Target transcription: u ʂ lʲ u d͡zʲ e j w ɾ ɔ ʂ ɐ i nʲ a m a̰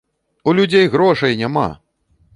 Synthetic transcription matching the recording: u lʲ u d͡zʲ e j ɣ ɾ ɔ ʂ ɐ j nʲ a m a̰